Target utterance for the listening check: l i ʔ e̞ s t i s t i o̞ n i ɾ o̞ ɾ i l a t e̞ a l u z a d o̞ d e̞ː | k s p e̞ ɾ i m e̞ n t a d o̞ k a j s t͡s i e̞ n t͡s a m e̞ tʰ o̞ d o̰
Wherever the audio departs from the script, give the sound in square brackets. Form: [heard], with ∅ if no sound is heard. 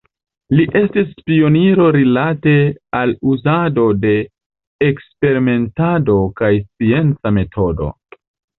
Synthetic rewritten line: l i ʔ e̞ s t i s [p] i o̞ n i ɾ o̞ ɾ i l a t e̞ a l u z a d o̞ d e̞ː | k s p e̞ ɾ i m e̞ n t a d o̞ k a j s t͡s i e̞ n t͡s a m e̞ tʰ o̞ d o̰